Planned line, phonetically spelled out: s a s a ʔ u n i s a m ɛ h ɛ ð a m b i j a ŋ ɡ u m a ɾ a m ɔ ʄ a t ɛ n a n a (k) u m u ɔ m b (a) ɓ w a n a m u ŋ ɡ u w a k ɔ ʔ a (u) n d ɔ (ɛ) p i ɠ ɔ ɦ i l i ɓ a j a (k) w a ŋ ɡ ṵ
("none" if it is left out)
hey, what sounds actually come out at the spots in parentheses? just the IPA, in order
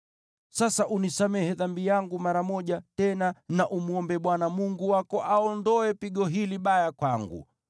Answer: ʔ, ɛ, ɔ, ɛ, k

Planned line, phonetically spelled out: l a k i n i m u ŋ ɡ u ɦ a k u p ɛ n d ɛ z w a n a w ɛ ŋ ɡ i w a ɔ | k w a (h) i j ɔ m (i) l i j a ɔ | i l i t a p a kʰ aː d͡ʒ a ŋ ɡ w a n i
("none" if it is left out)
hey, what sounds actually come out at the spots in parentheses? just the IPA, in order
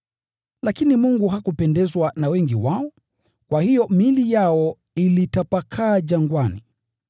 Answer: h, i

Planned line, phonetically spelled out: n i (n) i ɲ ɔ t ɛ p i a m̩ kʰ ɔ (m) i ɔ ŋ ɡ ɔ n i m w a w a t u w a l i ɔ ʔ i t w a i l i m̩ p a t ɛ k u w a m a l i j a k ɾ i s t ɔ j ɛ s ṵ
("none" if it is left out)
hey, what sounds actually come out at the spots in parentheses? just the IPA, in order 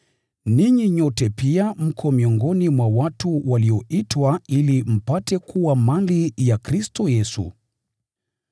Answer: ɲ, m

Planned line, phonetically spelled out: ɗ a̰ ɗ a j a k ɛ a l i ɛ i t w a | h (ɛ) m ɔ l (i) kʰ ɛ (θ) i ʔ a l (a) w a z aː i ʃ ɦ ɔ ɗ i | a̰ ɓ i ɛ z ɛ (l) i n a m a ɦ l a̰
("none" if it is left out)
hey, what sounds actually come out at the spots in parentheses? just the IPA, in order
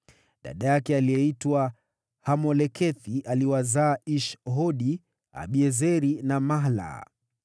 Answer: a, ɛ, θ, i, ɾ

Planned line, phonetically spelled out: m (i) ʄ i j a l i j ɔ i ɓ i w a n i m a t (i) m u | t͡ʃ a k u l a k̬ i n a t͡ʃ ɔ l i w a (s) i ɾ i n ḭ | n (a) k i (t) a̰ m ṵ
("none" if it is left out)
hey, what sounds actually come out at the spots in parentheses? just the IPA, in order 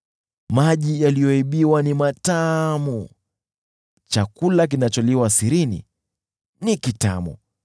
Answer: a, a, s, i, t

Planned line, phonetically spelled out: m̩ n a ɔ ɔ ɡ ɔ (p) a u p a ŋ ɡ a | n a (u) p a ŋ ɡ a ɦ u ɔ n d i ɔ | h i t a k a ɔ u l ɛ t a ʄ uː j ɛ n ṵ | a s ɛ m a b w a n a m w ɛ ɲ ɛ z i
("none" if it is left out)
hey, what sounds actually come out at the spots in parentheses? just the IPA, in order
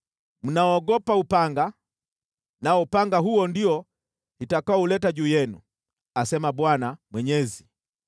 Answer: p, ɔ

